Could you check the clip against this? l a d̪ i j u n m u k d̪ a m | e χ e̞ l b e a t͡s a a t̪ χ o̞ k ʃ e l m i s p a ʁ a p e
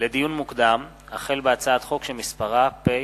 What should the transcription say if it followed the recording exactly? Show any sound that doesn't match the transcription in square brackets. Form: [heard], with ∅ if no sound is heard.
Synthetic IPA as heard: l [e] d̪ i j u n m u k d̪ a m | [a] χ e̞ l b e a t͡s a a t̪ χ o̞ k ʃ e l m i s p a ʁ a p e